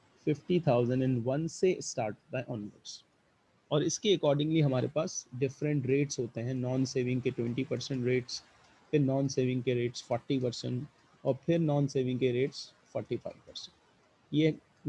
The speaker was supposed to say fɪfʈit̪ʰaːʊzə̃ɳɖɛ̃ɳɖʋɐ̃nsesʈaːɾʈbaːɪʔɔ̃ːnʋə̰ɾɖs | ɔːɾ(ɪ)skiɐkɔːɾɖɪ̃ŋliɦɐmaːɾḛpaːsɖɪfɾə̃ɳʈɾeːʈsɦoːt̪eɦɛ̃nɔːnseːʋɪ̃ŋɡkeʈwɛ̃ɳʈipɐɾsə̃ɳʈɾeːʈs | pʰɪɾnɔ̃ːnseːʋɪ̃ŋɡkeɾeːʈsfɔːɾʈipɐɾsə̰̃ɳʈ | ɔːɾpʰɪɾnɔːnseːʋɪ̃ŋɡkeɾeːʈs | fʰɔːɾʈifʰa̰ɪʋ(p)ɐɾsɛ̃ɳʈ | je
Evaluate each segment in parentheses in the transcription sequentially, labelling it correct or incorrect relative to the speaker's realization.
correct, correct

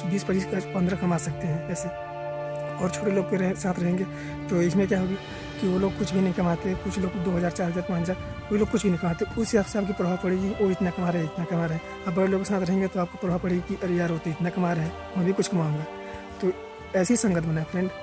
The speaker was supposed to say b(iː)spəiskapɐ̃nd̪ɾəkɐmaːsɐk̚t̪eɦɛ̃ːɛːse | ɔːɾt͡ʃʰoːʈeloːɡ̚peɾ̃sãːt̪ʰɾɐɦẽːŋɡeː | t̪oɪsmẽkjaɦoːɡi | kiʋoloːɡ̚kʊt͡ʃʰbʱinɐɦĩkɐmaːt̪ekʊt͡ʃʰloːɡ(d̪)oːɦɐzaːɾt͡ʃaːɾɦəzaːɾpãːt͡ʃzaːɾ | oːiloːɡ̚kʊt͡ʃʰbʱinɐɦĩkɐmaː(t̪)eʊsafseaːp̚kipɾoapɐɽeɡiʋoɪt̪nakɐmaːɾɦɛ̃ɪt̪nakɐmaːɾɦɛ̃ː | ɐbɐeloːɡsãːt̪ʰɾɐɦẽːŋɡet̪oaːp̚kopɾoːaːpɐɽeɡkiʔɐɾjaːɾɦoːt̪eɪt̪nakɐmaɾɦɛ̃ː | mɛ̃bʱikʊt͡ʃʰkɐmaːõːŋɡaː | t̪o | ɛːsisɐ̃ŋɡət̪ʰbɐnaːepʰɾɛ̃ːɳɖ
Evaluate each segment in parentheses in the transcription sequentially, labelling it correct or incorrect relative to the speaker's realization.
correct, correct, correct

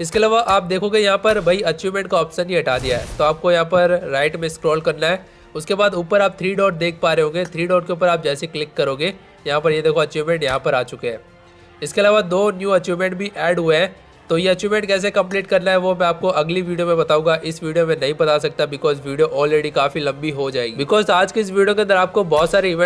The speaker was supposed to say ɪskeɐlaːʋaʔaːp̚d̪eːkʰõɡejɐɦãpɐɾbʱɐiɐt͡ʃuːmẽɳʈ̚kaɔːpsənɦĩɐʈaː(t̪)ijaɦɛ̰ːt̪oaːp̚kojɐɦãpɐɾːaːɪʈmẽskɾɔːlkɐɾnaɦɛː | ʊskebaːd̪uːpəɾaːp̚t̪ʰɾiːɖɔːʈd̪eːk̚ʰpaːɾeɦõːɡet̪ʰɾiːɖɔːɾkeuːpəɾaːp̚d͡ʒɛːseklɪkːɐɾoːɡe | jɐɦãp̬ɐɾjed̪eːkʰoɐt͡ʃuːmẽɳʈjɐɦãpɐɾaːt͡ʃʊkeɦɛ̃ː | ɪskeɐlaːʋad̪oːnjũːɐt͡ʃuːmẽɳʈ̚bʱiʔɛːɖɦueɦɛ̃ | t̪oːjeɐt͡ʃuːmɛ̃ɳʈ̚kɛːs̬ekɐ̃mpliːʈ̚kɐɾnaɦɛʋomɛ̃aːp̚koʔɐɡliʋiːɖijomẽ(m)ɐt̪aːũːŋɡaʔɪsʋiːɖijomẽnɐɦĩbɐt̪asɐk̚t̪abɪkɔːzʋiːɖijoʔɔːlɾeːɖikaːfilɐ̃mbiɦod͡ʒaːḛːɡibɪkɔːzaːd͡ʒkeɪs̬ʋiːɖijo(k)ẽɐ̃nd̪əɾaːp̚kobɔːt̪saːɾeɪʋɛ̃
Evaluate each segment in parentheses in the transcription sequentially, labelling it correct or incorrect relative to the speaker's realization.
incorrect: d̪, incorrect: b, correct

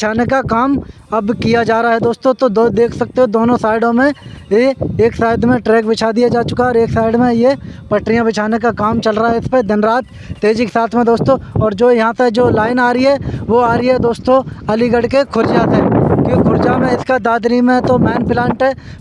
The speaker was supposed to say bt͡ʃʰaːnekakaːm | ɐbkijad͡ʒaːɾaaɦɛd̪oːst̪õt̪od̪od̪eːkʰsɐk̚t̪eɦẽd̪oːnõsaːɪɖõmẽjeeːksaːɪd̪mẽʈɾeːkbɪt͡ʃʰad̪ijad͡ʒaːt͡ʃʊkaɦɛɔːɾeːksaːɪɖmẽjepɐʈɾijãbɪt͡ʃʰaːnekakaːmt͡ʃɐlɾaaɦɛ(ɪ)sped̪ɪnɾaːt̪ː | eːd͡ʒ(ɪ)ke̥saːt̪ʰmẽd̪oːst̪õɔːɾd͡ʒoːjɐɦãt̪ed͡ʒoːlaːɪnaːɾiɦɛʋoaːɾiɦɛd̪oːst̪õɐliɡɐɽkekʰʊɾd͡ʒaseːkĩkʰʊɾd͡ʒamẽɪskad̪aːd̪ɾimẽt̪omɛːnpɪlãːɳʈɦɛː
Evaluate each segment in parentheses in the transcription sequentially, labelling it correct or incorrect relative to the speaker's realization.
correct, incorrect: i

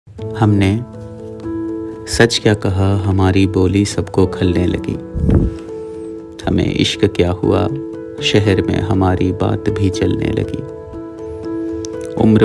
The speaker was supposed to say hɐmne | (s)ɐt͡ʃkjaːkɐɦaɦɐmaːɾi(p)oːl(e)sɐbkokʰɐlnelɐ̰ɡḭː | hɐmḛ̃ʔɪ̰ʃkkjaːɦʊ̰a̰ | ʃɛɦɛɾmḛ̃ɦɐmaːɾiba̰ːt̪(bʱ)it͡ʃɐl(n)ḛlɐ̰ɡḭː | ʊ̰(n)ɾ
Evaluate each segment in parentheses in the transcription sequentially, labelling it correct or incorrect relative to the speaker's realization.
correct, incorrect: b, incorrect: i, correct, correct, incorrect: m

